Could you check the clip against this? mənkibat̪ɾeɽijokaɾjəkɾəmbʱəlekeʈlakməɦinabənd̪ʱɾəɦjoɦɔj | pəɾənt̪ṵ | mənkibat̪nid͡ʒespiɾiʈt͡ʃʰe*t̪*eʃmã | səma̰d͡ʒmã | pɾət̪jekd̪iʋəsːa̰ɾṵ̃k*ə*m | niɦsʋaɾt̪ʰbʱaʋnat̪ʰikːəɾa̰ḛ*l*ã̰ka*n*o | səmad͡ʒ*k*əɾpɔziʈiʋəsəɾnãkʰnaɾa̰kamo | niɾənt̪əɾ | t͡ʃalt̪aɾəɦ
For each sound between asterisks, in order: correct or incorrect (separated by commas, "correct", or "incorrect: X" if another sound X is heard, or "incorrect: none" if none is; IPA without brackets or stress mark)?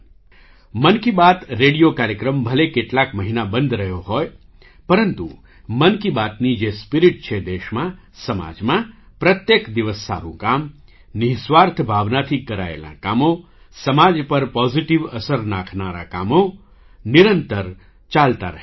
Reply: incorrect: d̪, incorrect: a, correct, incorrect: m, incorrect: p